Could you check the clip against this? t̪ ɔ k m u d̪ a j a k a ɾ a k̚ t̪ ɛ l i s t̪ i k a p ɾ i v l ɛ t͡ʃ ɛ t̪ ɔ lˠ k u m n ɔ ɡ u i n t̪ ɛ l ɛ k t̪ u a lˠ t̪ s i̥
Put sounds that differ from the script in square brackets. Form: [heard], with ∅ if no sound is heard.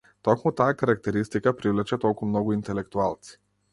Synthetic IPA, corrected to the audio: t̪ ɔ k m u [t̪] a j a k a ɾ a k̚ t̪ ɛ [ɾ] i s t̪ i k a p ɾ i v l ɛ t͡ʃ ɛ t̪ ɔ lˠ k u m n ɔ ɡ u i n t̪ ɛ l ɛ k t̪ u a lˠ t̪ s i̥